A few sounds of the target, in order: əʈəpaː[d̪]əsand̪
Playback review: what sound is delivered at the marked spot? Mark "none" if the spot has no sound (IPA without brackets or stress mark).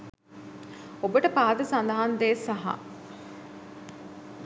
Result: d̪